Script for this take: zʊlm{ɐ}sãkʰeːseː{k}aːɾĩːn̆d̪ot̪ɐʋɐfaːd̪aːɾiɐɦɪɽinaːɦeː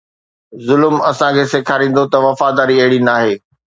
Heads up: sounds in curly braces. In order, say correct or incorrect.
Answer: correct, incorrect: kʰ

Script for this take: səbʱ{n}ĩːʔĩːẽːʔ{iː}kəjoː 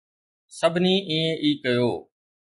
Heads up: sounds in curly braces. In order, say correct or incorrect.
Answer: correct, correct

